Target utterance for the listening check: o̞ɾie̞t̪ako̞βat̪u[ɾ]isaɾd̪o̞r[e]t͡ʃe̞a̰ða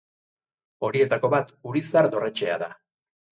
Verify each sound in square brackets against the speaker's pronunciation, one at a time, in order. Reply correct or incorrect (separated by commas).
correct, correct